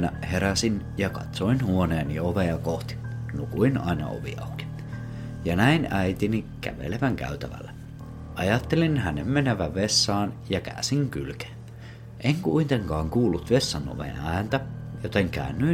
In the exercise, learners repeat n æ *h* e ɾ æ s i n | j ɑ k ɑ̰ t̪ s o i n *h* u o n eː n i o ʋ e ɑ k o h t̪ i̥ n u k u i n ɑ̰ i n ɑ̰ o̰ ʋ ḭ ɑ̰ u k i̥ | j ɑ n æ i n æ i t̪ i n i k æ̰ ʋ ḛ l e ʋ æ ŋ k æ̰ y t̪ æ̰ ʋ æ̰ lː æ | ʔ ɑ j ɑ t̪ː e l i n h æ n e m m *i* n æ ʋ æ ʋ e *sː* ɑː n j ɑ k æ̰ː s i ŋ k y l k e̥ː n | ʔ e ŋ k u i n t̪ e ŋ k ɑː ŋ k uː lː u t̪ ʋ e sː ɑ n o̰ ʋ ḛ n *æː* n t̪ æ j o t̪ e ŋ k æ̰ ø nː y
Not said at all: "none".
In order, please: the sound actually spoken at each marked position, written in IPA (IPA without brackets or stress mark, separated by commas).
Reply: h, h, e, sː, æː